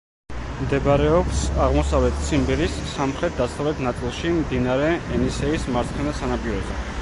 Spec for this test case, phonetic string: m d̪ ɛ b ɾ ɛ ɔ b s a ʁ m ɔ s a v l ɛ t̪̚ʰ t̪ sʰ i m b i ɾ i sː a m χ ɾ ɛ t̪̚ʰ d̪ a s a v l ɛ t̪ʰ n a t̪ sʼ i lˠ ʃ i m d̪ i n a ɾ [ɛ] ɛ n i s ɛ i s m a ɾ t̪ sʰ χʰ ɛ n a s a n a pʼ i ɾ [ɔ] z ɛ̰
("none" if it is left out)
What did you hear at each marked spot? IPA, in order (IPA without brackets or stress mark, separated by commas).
ɛ, ɔ